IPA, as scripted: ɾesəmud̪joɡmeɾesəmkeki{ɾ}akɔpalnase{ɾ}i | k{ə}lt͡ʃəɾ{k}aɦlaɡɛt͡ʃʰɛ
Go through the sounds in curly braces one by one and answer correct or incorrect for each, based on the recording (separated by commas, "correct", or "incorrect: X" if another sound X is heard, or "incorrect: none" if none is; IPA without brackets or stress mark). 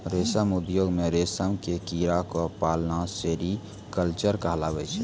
correct, correct, correct, correct